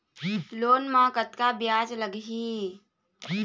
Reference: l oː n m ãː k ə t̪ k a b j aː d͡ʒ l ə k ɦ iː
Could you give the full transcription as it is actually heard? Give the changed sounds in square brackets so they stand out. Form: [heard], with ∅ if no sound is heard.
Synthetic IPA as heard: l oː n m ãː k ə t̪ k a b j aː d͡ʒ l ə [ɡ] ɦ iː